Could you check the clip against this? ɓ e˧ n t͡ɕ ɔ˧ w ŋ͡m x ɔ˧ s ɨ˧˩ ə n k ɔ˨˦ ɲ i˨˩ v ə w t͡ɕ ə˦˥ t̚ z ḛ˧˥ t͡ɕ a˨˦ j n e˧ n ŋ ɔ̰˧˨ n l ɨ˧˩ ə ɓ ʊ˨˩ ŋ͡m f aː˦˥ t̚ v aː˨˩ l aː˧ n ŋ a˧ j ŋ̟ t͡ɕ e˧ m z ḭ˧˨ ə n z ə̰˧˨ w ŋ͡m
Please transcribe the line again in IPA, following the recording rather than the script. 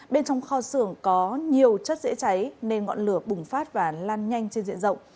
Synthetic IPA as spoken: ɓ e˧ n t͡ɕ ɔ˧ w ŋ͡m x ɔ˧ s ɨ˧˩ ə ŋ k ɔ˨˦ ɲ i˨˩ ə w t͡ɕ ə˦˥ t̚ z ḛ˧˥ t͡ɕ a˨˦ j n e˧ n ŋ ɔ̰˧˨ n l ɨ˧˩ ə ɓ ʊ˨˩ ŋ͡m f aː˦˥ t̚ v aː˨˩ l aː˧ n ɲ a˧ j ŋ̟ t͡ɕ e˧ n z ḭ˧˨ ə n z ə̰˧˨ w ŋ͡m

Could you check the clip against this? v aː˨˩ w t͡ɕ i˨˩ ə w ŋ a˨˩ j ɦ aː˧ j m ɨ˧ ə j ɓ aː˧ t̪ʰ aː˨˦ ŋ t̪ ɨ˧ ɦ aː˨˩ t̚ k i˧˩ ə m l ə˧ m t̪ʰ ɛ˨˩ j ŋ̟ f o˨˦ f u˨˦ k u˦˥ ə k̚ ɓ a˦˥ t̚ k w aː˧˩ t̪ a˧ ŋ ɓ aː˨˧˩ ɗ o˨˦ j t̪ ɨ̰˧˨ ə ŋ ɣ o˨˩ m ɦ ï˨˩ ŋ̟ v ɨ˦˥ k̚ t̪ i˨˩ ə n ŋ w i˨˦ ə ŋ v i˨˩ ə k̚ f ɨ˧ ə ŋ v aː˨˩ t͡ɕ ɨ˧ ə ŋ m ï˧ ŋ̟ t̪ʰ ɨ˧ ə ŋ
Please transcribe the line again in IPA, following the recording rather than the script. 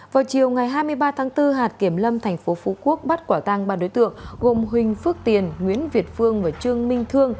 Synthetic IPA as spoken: v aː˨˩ w t͡ɕ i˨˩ ə w ŋ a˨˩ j ɦ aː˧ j m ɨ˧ ə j ɓ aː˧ t̪ʰ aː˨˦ ŋ t̪ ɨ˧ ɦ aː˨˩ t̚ k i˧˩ ə m l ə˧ m t̪ʰ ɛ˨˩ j ŋ̟ f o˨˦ f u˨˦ k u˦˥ ə k̚ ɓ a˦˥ t̚ k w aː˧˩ t̪ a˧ ŋ ɓ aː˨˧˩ ɗ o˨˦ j t̪ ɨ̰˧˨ ə ŋ ɣ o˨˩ m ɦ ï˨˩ ŋ̟ f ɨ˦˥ k̚ t̪ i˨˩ ə n ŋ w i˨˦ ə n v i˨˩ ə t̚ f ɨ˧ ə ŋ v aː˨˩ t͡ɕ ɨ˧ ə ŋ m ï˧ ŋ̟ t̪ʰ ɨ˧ ə ŋ

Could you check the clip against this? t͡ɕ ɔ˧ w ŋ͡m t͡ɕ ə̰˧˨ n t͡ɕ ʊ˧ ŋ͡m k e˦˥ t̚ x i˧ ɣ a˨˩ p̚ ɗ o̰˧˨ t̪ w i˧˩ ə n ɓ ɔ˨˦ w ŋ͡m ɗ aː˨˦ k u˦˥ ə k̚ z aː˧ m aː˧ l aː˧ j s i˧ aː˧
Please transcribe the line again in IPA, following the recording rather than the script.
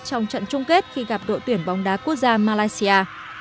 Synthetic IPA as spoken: t͡ɕ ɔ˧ w ŋ͡m t͡ɕ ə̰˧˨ n t͡ɕ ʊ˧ ŋ͡m k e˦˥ t̚ x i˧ ɣ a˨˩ p̚ ɗ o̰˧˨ t̪ w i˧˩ ə n ɓ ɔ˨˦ w ŋ͡m ɗ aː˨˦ k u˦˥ ə k̚ z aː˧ m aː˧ l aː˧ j s i˧ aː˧

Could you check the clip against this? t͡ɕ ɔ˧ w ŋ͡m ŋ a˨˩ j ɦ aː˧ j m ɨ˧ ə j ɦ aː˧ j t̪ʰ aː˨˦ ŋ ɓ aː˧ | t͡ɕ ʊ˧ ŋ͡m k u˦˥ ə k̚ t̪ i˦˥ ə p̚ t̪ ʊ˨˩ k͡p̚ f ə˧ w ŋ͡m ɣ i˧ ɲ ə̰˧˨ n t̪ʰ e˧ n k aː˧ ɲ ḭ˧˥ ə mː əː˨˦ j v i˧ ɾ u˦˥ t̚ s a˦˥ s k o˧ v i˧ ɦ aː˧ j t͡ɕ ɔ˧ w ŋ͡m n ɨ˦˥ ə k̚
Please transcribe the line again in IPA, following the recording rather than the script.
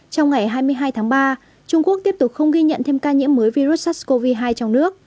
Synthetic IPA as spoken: t͡ɕ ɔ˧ w ŋ͡m ŋ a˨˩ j ɦ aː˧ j m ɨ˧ ə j ɦ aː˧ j t̪ʰ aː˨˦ ŋ ɓ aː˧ | t͡ɕ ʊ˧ ŋ͡m k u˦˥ ə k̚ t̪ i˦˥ ə p̚ t̪ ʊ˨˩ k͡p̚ x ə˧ w ŋ͡m ɣ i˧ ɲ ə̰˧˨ n t̪ʰ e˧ m k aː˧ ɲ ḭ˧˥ ə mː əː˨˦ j v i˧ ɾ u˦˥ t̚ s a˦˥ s k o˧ v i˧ ɦ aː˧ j t͡ɕ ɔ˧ w ŋ͡m n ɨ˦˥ ə k̚

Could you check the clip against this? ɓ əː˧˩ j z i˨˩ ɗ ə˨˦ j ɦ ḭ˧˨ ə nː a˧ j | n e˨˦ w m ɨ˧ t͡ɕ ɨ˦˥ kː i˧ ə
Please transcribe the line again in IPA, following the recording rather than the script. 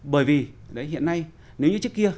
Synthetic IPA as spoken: ɓ əː˧˩ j v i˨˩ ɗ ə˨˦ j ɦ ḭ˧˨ ə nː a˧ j | n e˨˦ w ɲ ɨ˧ t͡ɕ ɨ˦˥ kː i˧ ə

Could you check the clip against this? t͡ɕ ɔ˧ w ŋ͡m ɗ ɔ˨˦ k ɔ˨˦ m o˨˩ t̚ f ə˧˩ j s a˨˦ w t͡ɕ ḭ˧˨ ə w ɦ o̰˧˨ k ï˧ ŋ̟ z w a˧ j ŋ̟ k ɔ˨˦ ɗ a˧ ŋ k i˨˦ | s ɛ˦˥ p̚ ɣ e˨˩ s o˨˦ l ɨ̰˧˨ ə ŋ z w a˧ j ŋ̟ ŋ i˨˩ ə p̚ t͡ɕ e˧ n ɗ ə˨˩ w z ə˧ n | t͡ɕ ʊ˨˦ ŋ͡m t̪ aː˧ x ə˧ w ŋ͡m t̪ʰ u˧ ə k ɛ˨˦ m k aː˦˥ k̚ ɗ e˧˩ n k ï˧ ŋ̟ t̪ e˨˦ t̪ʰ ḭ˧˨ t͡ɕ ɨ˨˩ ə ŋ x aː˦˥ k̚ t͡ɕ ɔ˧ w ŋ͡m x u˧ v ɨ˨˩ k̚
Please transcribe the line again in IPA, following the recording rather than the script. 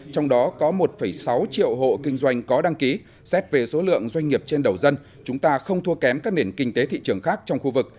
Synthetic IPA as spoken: t͡ɕ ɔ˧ w ŋ͡m ɗ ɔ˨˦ k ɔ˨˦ m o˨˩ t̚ f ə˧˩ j s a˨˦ w t͡ɕ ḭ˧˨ ə w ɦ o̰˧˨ k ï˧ ŋ̟ z w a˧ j ŋ̟ k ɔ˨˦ ɗ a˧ ŋ k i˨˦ | s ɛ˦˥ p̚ v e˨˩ s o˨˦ l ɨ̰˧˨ ə ŋ z w a˧ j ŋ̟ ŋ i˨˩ ə p̚ t͡ɕ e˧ n ɗ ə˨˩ w z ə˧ n | t͡ɕ ʊ˨˦ ŋ͡m t̪ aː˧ x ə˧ w ŋ͡m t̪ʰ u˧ ə k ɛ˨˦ m k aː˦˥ k̚ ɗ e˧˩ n k ï˧ ŋ̟ t̪ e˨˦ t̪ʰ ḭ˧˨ t͡ɕ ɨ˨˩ ə ŋ x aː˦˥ k̚ t͡ɕ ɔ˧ w ŋ͡m x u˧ v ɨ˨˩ k̚

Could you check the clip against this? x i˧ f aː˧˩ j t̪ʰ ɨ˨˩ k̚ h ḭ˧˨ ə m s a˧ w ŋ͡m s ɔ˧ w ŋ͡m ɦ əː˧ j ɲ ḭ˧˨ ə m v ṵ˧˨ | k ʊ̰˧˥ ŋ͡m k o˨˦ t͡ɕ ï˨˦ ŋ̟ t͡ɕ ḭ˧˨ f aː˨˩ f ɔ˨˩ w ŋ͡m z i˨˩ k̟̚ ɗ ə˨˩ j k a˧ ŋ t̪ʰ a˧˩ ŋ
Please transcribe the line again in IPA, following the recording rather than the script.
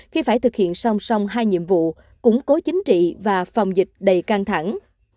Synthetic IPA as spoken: x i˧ f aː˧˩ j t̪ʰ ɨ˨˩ k̚ h ḭ˧˨ ə n s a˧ w ŋ͡m s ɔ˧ w ŋ͡m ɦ aː˧ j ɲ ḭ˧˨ ə m v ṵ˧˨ | k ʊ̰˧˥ ŋ͡m k o˨˦ t͡ɕ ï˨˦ ŋ̟ t͡ɕ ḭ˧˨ v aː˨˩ f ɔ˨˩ w ŋ͡m z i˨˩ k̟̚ ɗ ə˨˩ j k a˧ ŋ t̪ʰ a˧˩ ŋ

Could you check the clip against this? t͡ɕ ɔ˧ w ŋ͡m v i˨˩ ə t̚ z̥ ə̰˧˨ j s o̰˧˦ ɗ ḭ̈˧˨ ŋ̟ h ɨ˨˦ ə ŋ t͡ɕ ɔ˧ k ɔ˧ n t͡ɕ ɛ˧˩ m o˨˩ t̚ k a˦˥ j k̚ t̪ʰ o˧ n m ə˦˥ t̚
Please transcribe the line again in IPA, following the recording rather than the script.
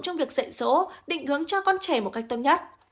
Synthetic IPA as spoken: t͡ɕ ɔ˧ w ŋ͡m v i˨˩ ə k̚ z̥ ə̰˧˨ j s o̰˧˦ ɗ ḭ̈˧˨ ŋ̟ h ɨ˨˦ ə ŋ t͡ɕ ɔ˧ k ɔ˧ n t͡ɕ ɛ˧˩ m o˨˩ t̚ k a˦˥ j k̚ t̪ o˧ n ɲ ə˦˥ t̚

